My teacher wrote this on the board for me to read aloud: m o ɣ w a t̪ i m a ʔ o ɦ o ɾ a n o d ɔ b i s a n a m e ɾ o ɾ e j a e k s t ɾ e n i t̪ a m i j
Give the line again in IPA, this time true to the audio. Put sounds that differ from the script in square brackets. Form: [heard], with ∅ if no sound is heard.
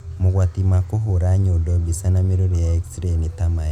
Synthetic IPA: m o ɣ w a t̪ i m a [k] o ɦ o ɾ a [ɲ] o d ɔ b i s a n a m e ɾ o ɾ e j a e k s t ɾ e n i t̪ a m [a] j

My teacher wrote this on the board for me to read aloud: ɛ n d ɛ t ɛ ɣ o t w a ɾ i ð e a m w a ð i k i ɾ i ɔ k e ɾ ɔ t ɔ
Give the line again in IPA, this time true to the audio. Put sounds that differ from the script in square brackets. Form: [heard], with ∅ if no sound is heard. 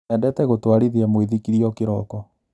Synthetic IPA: ɛ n d ɛ t ɛ ɣ o t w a ɾ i ð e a m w [e] ð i k i ɾ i ɔ k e ɾ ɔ [k] ɔ

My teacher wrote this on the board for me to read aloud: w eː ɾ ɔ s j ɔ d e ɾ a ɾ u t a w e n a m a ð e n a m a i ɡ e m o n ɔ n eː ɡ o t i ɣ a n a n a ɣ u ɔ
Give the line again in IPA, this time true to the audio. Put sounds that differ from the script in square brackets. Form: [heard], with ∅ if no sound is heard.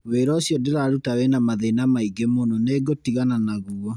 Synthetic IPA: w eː ɾ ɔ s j ɔ d e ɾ a ɾ u t a w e n a m a ð e n a m a i ɡ e m o n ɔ n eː ɡ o t i ɣ a n a n a ɣ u ɔ

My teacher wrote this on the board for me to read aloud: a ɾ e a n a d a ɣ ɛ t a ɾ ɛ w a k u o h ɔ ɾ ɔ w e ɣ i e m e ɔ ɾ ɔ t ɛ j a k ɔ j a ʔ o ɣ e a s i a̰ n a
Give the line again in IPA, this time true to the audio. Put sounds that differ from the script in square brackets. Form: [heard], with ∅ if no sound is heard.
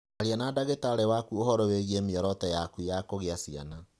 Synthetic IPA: a ɾ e a n a d a ɣ [e] t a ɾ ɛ w a k u o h ɔ ɾ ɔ w e ɣ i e m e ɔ ɾ ɔ t ɛ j a k [u] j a [k] o ɣ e a s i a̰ n a

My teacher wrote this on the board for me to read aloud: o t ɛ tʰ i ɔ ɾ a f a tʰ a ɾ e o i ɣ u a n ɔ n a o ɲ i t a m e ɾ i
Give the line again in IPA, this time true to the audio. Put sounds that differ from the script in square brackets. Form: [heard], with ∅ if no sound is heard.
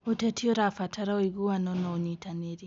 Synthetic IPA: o t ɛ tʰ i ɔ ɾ a f a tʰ a ɾ [a] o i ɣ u a n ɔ n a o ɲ i t a [n] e ɾ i

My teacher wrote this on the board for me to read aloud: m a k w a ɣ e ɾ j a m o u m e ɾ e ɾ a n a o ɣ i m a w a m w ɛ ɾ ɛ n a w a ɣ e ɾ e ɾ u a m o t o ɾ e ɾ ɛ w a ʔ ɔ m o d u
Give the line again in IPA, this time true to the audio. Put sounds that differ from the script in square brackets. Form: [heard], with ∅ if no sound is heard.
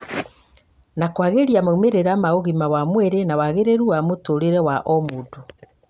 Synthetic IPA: [n] a k w a ɣ e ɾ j a m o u m e ɾ e ɾ a [m] a o ɣ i m a w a m w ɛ ɾ [e] n a w a ɣ e ɾ e ɾ u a m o t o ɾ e ɾ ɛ w a ʔ ɔ m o d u

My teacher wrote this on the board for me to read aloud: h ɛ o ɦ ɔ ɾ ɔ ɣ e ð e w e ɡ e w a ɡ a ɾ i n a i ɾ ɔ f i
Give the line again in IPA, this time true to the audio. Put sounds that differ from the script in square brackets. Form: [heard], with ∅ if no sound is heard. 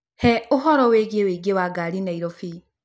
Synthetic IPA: h ɛ o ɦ ɔ ɾ ɔ [w] e [ɣ] e w e ɡ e w a ɡ a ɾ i n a i ɾ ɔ f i

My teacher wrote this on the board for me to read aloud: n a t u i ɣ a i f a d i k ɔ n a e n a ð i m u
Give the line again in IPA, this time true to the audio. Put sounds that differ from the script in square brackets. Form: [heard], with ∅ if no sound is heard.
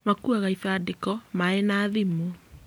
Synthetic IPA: [m] a [k] u [a] ɣ a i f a d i k ɔ [m] a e n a ð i m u

